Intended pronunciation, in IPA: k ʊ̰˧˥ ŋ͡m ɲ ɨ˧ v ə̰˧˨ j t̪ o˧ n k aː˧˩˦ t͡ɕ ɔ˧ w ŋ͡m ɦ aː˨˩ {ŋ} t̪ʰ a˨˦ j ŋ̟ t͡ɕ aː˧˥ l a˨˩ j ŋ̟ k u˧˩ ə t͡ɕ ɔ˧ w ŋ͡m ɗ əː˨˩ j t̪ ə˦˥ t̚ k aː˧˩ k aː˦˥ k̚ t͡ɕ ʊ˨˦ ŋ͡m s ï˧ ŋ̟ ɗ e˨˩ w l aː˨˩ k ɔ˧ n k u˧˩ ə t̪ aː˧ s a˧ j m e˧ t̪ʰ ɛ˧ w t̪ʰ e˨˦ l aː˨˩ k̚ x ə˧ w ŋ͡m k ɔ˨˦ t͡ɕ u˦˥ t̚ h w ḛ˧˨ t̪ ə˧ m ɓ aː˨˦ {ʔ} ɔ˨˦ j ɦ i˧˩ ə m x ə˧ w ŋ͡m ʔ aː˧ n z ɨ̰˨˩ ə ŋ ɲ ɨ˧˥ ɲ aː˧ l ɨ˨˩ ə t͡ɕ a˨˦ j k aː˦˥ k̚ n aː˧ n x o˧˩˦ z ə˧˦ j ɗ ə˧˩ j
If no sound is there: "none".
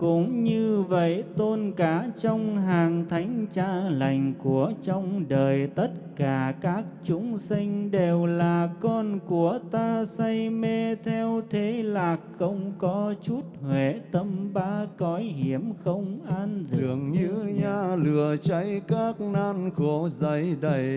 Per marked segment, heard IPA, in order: ŋ, k

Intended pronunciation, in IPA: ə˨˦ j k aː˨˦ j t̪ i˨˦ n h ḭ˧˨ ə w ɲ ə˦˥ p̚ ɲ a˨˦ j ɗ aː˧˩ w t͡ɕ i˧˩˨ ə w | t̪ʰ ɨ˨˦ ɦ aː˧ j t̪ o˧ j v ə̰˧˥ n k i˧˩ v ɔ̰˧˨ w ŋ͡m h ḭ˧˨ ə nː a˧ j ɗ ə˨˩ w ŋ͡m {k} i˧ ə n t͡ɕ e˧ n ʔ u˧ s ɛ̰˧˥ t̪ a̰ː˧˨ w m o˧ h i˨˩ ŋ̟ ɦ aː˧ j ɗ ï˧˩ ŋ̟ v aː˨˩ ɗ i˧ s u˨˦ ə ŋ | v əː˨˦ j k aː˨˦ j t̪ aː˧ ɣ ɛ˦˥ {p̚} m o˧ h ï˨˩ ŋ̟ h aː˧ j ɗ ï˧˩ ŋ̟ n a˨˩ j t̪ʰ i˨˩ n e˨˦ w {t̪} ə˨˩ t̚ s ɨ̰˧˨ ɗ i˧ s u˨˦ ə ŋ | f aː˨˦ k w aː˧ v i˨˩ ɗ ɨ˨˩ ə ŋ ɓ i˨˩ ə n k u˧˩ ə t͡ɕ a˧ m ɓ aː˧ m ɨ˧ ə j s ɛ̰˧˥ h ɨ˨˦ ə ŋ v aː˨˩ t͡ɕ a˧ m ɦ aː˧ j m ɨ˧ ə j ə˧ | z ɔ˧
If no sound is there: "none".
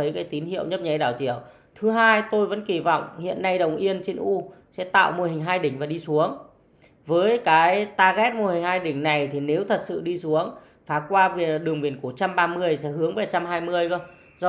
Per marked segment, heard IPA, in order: ʔ, t̚, t̪ʰ

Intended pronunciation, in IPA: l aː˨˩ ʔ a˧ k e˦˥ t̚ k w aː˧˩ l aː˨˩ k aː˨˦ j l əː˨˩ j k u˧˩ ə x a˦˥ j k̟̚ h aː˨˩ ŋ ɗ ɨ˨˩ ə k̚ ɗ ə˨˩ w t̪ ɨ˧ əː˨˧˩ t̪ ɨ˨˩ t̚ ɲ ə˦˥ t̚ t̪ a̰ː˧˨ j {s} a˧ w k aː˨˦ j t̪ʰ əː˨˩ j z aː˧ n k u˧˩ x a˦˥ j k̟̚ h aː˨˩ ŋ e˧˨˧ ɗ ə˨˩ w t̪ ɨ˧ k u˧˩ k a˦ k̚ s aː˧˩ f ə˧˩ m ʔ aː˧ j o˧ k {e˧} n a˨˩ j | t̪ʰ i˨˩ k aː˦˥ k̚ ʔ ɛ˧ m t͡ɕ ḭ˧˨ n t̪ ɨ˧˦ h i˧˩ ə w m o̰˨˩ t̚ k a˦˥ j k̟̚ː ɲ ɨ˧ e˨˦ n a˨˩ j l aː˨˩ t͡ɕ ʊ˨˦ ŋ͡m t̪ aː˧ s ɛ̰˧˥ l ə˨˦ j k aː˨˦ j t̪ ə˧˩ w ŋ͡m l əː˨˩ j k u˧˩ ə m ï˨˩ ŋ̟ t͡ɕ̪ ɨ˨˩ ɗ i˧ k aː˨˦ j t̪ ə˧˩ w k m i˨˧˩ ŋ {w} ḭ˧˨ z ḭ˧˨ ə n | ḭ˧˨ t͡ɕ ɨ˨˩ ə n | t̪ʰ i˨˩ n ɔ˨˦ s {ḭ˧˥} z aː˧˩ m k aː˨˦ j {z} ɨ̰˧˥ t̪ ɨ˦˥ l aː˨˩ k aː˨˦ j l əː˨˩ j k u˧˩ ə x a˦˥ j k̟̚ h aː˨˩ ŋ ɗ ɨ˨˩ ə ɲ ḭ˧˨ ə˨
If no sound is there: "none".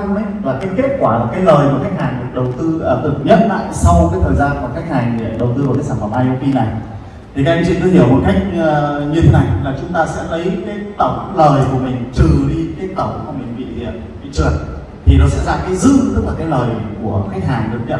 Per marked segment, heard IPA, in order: s, i˧, v, ɛ̰˧˥, z

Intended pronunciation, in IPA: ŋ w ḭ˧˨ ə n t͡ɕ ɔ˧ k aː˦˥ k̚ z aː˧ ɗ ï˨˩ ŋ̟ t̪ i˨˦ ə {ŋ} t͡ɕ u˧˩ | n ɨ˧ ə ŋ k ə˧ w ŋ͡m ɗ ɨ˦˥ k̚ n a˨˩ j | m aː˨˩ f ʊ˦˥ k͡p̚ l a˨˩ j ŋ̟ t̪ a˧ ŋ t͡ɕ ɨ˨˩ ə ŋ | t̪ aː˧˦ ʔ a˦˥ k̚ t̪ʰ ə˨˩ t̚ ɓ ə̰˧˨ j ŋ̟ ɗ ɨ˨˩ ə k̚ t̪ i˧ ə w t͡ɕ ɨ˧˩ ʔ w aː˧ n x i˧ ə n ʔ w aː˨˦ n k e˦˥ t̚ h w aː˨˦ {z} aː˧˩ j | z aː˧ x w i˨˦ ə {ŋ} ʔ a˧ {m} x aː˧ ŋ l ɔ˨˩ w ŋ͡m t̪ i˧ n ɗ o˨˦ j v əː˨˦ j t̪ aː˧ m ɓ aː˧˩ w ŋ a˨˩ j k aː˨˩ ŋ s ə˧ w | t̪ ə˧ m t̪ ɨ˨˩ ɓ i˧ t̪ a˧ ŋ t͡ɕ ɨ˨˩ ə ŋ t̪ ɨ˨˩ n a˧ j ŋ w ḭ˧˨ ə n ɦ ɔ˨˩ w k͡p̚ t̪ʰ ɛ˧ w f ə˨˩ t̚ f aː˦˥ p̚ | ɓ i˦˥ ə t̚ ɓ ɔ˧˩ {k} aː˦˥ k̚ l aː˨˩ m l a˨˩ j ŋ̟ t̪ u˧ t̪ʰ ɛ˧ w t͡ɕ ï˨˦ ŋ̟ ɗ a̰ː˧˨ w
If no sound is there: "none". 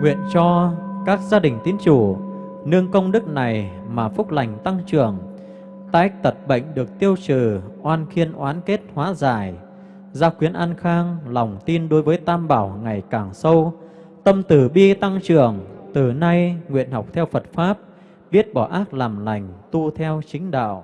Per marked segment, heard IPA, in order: n, z, n, n, ʔ

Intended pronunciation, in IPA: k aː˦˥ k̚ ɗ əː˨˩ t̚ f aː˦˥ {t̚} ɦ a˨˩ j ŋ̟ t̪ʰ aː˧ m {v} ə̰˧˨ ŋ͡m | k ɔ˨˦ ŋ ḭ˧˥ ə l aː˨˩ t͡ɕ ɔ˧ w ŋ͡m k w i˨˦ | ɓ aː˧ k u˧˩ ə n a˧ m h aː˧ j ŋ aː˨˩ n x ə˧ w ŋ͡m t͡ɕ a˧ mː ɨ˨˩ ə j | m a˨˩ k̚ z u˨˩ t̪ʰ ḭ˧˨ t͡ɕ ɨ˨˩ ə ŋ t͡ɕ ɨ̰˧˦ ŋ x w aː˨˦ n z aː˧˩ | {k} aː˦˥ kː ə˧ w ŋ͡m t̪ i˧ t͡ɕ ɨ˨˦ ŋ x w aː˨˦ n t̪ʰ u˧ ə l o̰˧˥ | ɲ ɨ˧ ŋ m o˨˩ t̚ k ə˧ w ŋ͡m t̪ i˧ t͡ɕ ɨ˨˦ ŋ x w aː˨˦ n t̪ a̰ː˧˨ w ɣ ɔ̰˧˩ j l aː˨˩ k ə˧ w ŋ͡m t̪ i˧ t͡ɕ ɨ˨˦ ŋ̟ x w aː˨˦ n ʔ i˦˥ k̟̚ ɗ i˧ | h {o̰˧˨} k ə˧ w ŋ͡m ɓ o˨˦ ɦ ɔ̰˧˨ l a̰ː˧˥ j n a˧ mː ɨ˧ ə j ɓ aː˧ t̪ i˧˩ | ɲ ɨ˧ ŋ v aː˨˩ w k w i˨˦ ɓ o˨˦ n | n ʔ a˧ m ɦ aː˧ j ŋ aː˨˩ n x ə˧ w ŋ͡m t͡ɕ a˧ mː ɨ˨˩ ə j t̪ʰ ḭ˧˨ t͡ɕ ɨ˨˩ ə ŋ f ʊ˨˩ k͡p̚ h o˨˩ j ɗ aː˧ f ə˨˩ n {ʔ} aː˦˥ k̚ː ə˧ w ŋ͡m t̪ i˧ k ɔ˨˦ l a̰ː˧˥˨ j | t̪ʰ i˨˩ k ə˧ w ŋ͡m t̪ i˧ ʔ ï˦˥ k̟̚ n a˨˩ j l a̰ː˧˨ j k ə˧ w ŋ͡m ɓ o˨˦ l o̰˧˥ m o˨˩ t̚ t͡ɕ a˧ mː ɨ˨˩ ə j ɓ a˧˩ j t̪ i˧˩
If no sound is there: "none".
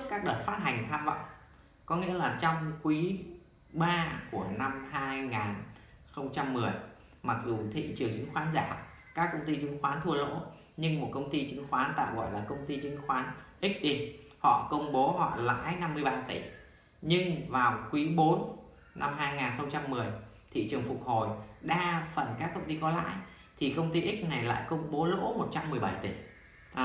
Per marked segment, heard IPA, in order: t̚, v, k, ɔ̰˧˨, k

